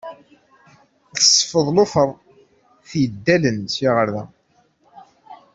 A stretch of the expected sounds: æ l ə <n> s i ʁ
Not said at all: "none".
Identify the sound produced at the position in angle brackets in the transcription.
n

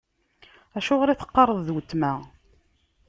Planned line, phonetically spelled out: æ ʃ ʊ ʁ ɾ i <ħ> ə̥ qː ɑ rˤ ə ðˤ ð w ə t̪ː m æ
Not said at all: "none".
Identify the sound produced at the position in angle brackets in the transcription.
θ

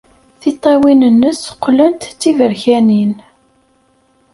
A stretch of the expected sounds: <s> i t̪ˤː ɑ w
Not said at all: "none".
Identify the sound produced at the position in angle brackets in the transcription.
θ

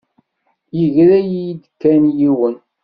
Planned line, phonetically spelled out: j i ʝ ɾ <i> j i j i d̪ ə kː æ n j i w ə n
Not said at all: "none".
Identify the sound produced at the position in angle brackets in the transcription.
æ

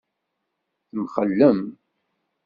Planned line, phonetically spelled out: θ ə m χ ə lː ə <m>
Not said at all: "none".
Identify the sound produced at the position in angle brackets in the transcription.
m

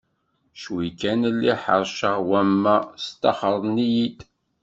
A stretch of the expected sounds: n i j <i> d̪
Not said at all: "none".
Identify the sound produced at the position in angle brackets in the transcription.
i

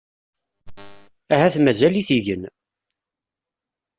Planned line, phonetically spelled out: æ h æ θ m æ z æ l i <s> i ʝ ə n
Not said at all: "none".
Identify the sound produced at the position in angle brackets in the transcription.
θ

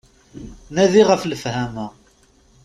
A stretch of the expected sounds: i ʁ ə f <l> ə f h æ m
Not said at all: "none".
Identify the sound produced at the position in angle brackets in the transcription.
l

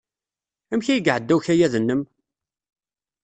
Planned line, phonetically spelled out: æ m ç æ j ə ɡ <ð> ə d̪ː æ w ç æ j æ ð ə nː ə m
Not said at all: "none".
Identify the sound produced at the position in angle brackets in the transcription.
ʕ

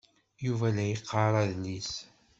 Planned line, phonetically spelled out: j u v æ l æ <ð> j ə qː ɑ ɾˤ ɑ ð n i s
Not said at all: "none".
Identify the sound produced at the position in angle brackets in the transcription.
none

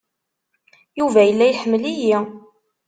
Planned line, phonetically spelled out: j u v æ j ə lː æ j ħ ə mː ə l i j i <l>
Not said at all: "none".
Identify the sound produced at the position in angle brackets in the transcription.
none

